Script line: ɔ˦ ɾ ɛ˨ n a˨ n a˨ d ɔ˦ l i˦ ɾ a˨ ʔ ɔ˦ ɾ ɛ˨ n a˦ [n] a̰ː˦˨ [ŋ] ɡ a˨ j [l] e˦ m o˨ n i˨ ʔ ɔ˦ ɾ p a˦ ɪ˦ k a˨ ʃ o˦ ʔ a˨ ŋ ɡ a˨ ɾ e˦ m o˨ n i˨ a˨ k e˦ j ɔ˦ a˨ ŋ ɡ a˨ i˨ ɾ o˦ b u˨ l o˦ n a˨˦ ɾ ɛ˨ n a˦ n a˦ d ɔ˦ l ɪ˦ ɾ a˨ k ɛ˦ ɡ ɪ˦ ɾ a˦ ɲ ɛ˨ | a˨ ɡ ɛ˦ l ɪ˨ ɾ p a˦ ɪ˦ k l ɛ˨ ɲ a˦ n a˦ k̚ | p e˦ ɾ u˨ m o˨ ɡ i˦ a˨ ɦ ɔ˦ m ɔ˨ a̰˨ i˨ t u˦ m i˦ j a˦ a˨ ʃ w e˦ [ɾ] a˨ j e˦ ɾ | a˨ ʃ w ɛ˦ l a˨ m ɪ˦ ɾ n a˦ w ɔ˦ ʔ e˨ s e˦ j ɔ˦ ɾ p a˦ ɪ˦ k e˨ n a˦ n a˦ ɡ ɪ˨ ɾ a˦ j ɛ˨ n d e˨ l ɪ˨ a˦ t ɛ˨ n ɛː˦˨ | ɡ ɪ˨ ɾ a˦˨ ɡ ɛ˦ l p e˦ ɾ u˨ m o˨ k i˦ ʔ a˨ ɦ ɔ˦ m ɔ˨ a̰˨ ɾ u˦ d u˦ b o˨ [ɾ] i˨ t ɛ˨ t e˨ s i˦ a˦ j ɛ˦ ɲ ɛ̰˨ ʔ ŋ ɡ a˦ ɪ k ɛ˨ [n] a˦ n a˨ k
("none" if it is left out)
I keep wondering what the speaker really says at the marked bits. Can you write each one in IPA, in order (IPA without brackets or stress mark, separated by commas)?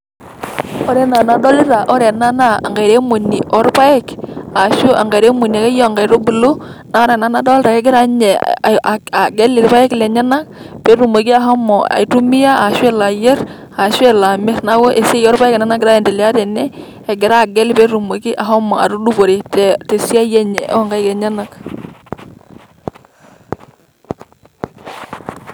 n, ŋ, ɾ, l, ɾ, ɲ